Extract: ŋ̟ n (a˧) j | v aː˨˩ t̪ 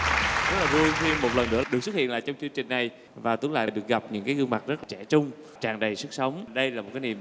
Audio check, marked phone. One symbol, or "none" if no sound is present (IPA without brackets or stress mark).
a˨˩